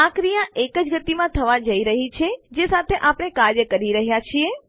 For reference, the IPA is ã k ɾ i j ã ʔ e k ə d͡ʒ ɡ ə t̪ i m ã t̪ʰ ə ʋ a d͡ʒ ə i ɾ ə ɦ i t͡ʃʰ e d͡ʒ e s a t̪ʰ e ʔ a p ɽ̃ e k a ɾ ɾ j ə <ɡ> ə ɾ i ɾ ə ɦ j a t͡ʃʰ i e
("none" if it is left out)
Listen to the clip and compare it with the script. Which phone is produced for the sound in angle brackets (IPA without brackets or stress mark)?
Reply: k